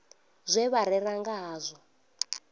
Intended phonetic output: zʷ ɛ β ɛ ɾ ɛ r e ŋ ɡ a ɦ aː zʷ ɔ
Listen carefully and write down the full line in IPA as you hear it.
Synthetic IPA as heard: zʷ ɛ β a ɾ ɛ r a ŋ ɡ a ɦ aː zʷ ɔ